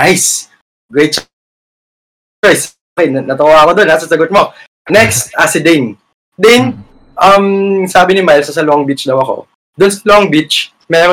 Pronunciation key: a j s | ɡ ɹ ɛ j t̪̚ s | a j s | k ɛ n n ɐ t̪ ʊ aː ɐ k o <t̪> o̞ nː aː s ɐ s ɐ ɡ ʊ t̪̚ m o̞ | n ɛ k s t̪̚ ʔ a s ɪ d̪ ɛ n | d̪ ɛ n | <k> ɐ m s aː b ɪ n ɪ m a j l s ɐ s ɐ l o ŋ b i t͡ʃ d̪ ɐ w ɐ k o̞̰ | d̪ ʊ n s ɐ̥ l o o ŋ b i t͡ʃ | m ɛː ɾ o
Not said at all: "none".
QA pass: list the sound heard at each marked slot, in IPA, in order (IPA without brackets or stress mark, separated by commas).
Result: d̪, ʔ